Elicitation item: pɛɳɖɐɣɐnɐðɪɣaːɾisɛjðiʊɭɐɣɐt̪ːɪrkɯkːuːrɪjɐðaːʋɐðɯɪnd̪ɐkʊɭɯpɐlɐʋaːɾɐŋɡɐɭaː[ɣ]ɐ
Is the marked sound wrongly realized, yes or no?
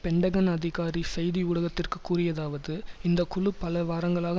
no